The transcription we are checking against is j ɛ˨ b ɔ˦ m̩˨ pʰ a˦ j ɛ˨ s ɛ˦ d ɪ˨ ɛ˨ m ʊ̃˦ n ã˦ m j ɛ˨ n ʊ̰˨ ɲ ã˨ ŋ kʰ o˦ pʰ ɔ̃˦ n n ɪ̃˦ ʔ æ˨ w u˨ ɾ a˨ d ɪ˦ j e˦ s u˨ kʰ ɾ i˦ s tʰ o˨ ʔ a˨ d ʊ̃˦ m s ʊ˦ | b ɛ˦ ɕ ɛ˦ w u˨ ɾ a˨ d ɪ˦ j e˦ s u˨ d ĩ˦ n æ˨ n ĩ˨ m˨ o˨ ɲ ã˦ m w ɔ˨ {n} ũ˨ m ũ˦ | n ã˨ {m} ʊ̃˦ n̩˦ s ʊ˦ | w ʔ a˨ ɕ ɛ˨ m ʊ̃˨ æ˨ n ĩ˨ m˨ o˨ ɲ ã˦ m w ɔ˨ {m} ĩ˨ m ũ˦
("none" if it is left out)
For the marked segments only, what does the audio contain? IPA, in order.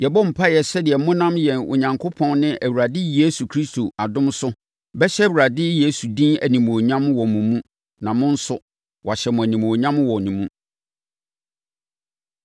m, m, n

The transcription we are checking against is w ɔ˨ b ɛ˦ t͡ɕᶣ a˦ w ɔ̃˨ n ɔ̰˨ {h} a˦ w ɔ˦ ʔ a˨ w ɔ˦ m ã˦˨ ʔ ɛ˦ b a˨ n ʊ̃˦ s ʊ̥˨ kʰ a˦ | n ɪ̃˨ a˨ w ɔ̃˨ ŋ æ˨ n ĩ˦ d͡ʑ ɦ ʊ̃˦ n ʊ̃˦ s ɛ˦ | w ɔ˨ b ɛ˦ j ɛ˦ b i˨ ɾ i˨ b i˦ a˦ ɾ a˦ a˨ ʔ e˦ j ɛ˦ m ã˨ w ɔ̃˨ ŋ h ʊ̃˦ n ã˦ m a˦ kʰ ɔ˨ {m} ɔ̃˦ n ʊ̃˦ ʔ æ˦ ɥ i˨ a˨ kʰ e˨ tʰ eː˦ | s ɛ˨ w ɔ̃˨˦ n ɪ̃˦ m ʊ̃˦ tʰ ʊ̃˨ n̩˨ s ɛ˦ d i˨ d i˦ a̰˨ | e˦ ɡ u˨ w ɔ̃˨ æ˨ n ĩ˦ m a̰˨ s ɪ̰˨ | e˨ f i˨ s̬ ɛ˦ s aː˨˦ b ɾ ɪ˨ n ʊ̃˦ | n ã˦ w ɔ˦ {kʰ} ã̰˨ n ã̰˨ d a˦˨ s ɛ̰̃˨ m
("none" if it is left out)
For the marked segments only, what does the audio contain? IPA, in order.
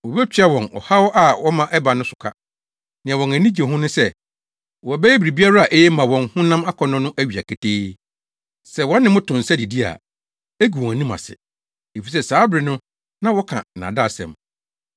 h, n, kʰ

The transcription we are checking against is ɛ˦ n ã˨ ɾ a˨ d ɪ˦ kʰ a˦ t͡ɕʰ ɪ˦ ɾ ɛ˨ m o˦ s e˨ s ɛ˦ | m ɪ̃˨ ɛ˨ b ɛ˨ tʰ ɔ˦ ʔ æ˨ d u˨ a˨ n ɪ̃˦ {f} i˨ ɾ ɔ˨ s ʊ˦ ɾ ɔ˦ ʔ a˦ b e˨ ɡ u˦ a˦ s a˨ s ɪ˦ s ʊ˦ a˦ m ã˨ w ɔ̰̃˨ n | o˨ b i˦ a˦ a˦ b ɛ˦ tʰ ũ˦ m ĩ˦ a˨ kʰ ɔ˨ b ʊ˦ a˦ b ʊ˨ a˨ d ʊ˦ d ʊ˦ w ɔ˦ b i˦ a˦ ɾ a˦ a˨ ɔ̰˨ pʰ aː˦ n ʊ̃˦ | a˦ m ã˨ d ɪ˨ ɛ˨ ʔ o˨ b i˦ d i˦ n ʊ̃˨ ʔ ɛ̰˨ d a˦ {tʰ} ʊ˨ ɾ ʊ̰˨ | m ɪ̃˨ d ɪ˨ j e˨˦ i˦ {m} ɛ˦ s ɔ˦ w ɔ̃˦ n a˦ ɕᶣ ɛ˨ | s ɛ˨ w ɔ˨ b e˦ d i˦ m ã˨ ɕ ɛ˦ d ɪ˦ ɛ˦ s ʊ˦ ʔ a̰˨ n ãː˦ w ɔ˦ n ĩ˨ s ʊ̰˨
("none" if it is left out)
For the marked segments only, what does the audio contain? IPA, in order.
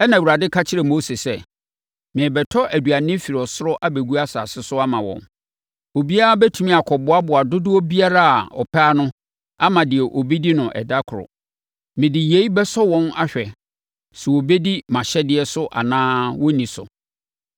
f, kʰ, b

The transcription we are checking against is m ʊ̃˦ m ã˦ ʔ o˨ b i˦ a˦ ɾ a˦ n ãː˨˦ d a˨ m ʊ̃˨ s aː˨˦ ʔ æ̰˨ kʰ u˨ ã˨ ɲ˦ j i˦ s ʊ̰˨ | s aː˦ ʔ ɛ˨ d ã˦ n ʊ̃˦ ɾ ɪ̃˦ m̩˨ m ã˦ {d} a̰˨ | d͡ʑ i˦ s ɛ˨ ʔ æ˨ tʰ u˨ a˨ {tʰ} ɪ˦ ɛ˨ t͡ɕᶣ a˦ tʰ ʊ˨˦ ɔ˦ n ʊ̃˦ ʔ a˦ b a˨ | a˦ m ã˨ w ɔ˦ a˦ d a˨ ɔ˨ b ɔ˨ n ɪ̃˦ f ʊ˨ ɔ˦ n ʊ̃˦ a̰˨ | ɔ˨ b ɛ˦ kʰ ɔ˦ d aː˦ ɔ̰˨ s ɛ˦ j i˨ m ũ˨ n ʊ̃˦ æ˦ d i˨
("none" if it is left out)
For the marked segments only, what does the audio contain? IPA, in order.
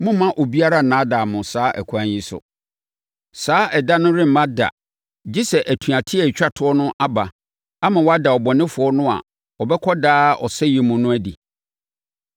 d, tʰ

